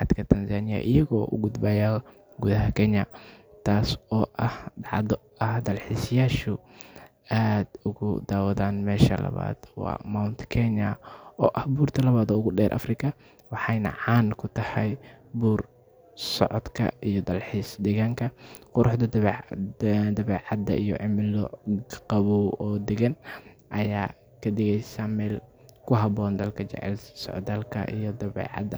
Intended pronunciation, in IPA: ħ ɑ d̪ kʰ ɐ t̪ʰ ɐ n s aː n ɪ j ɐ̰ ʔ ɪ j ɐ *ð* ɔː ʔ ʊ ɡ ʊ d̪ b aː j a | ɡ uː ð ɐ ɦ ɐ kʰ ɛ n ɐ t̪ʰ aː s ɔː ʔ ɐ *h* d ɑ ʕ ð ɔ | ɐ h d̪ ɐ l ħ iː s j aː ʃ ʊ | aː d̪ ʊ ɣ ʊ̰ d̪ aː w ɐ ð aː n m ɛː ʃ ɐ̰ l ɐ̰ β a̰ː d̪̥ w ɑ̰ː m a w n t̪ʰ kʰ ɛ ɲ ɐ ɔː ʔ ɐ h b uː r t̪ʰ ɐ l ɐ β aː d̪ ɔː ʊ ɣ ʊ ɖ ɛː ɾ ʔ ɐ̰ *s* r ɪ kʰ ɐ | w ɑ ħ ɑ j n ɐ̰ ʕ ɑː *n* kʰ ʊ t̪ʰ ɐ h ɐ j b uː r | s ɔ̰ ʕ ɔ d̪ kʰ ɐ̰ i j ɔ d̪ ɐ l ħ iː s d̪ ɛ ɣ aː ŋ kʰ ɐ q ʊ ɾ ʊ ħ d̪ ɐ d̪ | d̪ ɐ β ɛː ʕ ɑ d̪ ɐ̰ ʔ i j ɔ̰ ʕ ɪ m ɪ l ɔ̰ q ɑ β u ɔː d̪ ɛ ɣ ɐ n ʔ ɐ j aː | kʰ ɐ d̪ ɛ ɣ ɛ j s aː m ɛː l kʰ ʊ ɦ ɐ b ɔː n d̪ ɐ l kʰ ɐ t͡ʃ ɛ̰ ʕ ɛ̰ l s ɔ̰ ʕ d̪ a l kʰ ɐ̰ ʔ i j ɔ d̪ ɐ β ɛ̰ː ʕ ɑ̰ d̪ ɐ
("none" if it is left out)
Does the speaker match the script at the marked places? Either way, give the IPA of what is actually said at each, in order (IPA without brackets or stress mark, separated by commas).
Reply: ɣ, h, f, n